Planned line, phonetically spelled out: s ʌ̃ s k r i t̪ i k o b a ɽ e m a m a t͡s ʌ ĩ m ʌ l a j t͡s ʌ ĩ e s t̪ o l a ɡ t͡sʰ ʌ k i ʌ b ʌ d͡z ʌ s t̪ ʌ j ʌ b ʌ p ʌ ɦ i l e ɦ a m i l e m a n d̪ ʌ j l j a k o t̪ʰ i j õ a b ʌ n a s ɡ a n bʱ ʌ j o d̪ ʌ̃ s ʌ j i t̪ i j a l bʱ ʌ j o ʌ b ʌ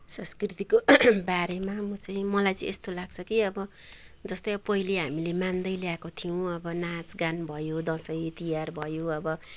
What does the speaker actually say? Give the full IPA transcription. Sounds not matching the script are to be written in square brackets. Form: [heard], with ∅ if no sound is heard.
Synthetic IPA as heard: s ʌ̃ s k r i t̪ i k o b a [ɾ] e m a m [ʌ] t͡s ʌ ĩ m ʌ l a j t͡s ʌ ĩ e s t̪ o l a ɡ t͡sʰ ʌ k i ʌ b ʌ d͡z ʌ s t̪ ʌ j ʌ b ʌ p ʌ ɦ i l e ɦ a m i l e m a n d̪ ʌ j l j a k o t̪ʰ i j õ [ʌ] b ʌ n a [t͡s] ɡ a n bʱ ʌ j o d̪ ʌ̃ s ʌ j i t̪ i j a [r] bʱ ʌ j o ʌ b ʌ